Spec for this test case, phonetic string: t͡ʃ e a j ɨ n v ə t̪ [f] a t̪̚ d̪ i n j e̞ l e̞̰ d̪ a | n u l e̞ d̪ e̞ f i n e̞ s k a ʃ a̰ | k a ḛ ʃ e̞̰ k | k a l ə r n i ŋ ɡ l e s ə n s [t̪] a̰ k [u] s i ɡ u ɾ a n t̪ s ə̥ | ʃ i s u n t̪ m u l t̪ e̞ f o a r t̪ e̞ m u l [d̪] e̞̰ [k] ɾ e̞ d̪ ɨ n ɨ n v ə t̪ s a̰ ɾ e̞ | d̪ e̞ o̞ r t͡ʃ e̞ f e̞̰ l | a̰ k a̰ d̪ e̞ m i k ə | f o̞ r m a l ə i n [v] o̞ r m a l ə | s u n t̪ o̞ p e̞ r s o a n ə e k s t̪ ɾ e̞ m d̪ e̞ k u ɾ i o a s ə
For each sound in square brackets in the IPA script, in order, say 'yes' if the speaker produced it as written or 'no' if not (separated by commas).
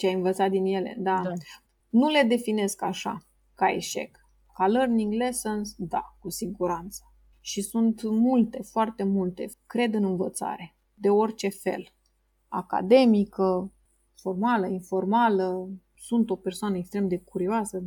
no, no, yes, no, yes, no